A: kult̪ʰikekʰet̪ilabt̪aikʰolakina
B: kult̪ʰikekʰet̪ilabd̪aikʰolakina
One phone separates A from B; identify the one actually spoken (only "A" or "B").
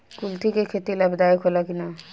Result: B